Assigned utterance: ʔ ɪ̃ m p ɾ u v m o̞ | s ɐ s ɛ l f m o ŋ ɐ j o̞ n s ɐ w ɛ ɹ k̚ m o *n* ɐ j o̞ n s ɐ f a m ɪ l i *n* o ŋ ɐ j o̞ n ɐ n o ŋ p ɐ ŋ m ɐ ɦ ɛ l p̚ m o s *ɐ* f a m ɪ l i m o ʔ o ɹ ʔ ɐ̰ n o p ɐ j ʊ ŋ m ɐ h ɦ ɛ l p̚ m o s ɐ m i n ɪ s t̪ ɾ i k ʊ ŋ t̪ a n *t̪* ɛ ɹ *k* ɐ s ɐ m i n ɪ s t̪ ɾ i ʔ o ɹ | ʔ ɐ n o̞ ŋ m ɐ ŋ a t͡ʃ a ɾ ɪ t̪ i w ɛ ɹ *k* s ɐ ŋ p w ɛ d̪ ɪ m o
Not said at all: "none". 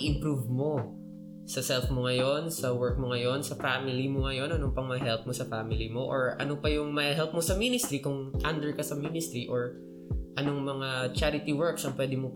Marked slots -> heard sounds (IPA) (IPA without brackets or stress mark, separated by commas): ŋ, m, ɐ, d̪, k, k